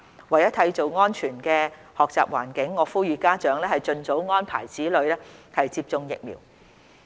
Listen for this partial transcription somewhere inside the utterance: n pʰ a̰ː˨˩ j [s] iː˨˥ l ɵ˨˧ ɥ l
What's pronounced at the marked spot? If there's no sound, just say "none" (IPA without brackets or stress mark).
t͡s